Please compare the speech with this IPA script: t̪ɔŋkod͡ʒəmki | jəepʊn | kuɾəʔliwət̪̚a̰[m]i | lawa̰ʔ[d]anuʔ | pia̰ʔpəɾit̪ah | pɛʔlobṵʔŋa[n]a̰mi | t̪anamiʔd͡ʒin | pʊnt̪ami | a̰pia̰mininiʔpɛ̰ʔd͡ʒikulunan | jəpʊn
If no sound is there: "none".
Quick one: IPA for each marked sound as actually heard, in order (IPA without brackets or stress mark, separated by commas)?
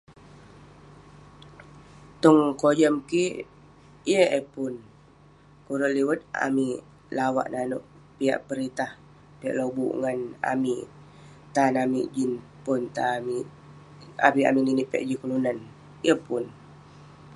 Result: m, n, n